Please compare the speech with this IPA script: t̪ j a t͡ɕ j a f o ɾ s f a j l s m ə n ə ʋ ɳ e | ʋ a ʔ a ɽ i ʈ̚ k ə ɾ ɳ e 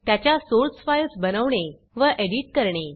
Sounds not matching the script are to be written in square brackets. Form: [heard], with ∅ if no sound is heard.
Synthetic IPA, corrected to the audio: t̪ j a t͡ɕ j a [s] o ɾ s f a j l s [b] ə n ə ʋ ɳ e | ʋ [ə] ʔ [e] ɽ i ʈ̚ k ə ɾ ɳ e